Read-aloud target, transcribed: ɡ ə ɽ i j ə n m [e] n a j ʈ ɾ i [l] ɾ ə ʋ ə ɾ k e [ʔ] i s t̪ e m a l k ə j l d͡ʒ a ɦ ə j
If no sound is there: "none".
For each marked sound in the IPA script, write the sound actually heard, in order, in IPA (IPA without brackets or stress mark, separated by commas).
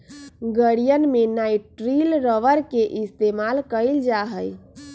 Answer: e, l, ʔ